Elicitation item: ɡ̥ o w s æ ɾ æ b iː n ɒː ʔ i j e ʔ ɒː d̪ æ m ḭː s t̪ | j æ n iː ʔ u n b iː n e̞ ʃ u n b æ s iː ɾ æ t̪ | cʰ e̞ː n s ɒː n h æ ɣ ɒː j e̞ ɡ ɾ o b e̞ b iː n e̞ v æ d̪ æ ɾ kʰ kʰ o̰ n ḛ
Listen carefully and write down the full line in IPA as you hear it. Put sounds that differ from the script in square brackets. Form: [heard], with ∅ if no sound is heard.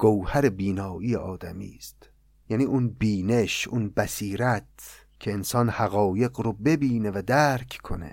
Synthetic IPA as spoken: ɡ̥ o w [h] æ ɾ [e] b iː n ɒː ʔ i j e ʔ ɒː d̪ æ m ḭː s t̪ | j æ n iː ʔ u n b iː n e̞ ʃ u n b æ s iː ɾ æ t̪ | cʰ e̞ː n s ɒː n h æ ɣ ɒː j e̞ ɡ ɾ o b e̞ b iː n e̞ v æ d̪ æ ɾ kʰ kʰ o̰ n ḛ